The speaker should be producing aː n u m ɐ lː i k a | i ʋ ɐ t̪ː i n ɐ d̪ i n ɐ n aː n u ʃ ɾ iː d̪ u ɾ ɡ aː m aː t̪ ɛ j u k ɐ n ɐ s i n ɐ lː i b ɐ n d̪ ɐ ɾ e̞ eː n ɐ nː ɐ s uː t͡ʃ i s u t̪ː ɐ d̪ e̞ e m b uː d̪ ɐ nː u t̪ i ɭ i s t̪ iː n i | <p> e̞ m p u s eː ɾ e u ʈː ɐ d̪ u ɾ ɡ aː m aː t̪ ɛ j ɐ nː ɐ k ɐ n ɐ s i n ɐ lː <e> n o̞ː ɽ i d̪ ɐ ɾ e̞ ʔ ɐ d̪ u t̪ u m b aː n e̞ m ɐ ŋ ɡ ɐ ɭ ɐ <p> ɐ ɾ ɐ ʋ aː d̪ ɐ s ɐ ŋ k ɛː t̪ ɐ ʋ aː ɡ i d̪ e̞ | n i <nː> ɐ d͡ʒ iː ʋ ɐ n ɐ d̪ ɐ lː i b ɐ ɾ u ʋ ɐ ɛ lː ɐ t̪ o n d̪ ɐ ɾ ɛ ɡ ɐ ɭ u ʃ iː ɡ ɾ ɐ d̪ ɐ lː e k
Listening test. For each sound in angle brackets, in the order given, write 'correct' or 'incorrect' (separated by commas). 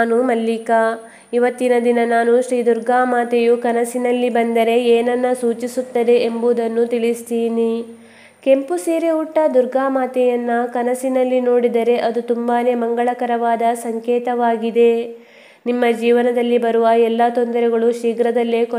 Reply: incorrect, incorrect, incorrect, incorrect